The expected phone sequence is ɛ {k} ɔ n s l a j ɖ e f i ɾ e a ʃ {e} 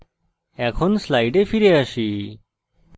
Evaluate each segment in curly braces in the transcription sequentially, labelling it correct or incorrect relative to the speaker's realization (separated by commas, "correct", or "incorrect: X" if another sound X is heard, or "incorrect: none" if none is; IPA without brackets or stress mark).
incorrect: kʰ, incorrect: i